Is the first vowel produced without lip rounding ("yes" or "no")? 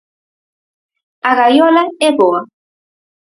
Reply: yes